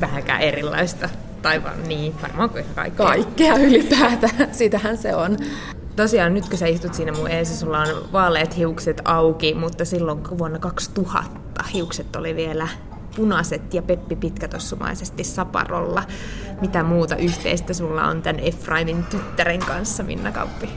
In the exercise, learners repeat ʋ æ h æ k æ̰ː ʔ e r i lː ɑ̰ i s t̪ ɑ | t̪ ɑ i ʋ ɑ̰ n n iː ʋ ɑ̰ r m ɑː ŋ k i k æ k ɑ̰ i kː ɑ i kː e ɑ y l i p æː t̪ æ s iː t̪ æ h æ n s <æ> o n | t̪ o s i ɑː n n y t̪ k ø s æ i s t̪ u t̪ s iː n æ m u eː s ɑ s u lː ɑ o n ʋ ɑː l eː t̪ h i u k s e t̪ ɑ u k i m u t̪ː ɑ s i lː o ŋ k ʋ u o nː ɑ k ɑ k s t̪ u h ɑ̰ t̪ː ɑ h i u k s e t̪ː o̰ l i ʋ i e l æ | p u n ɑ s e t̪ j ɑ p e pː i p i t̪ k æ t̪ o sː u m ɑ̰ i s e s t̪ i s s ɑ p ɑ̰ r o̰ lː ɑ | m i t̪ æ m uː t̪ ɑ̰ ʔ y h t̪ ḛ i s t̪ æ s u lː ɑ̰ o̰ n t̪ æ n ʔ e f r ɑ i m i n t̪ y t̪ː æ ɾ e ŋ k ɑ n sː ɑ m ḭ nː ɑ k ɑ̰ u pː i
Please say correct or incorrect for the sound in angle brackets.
incorrect